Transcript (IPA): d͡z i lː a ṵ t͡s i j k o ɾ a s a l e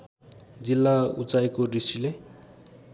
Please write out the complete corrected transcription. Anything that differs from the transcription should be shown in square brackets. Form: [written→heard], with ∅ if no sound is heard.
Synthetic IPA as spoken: d͡z i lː a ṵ t͡s [i→a] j k o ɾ [a→i] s [a→i] l e